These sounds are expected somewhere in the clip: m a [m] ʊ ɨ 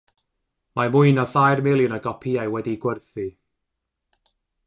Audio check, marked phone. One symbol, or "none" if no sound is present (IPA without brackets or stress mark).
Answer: m